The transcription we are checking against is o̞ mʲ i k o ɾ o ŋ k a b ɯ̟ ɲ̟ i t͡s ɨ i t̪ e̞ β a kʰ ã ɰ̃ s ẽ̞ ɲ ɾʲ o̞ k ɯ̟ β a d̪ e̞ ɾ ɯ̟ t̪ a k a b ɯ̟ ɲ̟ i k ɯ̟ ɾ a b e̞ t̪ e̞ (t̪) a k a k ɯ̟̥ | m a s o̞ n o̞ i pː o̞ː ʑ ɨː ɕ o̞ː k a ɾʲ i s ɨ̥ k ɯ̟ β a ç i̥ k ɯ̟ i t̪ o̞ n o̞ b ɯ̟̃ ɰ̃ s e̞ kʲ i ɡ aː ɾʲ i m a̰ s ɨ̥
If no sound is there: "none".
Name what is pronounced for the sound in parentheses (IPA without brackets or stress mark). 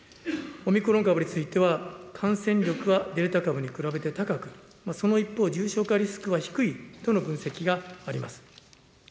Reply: t̪